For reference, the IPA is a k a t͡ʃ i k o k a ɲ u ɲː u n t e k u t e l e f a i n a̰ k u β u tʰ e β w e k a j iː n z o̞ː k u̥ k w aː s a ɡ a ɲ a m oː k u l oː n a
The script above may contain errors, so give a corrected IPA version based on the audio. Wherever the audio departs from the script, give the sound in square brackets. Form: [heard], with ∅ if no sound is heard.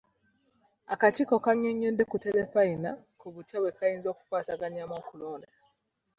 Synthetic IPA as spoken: a k a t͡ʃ i k o k a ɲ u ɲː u n [d] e k u t e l e f a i n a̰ k u β u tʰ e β w e k a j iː n z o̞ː k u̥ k w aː s a ɡ a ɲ a m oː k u l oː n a